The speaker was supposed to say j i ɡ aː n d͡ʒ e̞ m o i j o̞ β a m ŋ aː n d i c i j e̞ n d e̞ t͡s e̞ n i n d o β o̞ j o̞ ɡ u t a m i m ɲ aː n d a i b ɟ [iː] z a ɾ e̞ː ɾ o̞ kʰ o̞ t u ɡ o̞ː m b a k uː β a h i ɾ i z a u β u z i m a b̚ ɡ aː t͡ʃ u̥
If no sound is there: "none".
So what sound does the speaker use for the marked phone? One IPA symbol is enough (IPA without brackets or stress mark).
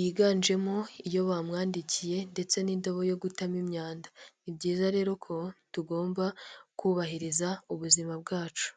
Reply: iː